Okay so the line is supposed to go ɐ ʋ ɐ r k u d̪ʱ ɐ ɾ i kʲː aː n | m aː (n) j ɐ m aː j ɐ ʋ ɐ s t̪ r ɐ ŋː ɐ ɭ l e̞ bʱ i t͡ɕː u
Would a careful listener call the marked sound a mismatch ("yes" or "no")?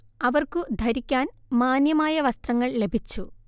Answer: no